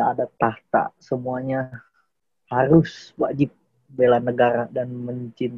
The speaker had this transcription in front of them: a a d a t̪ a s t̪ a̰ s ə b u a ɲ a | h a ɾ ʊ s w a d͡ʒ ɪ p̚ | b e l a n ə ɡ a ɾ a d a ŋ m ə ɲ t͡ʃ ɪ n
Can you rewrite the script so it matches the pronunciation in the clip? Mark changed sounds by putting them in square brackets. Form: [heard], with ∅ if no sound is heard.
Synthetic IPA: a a d a t̪ a [h] t̪ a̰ s ə [m] u a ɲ a | h a ɾ ʊ s w a d͡ʒ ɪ p̚ | b e l a n ə ɡ a ɾ a d a [n] m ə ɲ t͡ʃ ɪ n